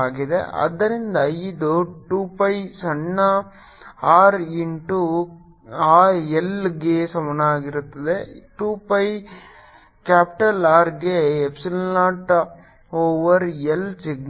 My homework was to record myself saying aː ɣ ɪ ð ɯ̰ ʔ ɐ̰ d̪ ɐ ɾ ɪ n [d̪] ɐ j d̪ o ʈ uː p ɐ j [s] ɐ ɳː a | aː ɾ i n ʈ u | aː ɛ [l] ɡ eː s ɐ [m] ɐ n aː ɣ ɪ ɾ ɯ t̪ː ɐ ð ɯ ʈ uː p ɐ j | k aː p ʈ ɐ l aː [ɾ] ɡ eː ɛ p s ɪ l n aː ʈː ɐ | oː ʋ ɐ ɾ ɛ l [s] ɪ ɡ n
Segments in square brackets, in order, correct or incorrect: correct, correct, correct, correct, correct, correct

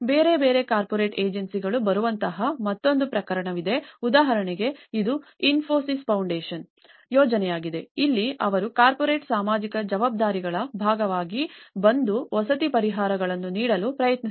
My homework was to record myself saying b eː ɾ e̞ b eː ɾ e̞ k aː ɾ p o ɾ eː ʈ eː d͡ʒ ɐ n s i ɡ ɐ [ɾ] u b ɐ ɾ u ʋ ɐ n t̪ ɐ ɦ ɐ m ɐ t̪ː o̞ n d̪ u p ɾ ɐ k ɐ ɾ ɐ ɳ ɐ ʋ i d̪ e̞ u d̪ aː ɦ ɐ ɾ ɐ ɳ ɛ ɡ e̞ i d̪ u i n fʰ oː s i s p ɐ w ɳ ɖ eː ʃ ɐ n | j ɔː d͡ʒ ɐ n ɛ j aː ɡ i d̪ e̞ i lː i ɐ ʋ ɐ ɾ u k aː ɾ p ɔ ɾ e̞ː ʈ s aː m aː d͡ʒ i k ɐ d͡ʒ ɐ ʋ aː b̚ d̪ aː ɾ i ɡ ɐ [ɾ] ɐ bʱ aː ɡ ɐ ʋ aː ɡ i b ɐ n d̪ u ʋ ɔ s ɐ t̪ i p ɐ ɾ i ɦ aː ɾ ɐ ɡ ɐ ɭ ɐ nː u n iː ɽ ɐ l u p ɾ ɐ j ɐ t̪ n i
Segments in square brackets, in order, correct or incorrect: incorrect: ɭ, incorrect: ɭ

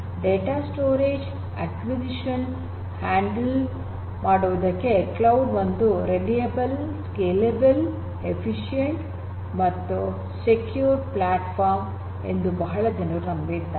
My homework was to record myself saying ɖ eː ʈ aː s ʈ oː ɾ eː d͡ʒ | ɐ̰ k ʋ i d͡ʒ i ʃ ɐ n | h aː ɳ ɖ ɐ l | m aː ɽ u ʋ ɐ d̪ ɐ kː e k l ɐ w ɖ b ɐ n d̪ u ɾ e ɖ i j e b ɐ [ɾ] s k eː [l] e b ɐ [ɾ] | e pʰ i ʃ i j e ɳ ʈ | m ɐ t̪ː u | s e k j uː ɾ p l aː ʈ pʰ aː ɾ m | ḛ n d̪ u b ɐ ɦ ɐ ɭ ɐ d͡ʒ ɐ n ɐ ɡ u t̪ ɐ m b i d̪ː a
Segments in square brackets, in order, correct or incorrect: incorrect: l, correct, incorrect: l

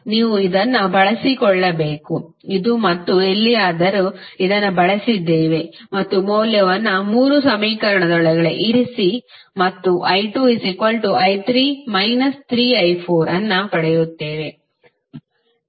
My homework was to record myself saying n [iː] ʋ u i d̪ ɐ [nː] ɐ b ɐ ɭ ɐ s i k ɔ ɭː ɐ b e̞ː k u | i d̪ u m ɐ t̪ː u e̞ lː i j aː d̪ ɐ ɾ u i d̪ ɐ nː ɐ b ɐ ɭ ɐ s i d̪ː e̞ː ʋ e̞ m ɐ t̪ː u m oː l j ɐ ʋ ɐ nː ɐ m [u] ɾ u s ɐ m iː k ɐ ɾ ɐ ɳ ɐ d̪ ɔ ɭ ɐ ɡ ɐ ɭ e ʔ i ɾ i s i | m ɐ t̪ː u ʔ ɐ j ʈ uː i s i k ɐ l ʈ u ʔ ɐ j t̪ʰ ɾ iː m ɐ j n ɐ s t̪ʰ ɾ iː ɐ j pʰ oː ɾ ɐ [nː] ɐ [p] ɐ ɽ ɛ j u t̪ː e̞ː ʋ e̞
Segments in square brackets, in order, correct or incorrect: correct, correct, incorrect: uː, correct, correct

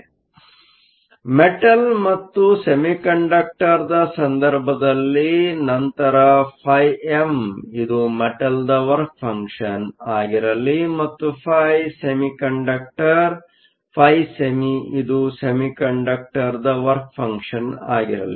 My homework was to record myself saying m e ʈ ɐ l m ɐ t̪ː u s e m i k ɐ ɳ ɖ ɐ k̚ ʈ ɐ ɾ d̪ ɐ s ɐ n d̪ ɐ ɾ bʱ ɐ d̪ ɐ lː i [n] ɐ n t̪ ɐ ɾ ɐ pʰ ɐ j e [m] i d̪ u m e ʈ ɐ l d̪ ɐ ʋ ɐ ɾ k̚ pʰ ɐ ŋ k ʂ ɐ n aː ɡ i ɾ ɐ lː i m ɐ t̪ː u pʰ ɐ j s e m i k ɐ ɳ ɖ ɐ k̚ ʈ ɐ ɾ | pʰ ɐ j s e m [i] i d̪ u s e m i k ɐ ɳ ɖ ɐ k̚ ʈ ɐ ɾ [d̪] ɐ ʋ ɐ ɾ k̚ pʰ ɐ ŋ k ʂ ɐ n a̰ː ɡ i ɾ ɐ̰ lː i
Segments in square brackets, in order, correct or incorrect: correct, correct, correct, correct

